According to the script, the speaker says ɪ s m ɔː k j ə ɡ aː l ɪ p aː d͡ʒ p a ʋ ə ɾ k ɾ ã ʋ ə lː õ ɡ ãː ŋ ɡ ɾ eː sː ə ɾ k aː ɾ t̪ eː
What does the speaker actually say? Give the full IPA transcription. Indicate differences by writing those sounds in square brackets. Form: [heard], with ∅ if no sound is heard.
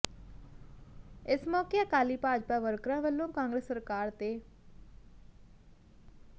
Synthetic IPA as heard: ɪ s m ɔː k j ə [k] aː l [i] p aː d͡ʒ p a ʋ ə ɾ k ɾ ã ʋ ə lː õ [k] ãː ŋ ɡ ɾ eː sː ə ɾ k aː ɾ t̪ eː